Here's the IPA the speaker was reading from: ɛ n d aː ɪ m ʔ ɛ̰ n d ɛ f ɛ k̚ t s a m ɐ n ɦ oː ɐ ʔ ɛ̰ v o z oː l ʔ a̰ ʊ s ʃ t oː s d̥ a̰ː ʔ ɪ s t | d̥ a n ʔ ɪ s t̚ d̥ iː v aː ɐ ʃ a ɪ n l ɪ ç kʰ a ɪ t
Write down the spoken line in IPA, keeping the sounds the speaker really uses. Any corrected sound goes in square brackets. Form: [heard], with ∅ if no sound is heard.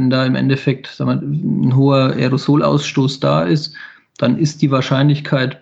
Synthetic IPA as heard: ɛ n d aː ɪ m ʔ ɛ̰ n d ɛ f ɛ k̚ t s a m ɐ n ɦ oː ɐ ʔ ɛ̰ [ʁ] o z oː l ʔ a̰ ʊ s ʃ t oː s d̥ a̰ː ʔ ɪ s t | d̥ a n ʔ ɪ s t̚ d̥ iː v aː ɐ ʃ a ɪ n l ɪ ç kʰ a ɪ t